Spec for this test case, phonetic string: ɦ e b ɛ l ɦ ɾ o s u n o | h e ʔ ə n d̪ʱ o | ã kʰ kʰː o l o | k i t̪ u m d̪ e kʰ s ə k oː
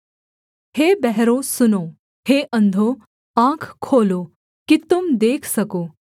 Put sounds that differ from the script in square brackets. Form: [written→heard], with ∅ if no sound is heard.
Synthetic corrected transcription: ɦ e b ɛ [l→∅] ɦ ɾ o s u n o | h e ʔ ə n d̪ʱ o | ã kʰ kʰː o l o | k i t̪ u m d̪ e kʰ s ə k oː